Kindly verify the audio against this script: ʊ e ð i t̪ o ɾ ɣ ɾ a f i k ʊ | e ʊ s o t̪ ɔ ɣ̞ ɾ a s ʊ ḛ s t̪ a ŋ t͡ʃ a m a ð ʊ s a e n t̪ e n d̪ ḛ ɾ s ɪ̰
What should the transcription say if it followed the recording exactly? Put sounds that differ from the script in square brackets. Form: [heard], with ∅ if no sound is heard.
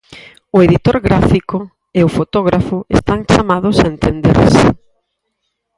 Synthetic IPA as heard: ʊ e ð i t̪ o ɾ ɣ ɾ a f i k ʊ | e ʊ [f] o t̪ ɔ ɣ̞ ɾ a [f] ʊ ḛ s t̪ a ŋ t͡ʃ a m a ð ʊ s a e n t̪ e n d̪ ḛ ɾ s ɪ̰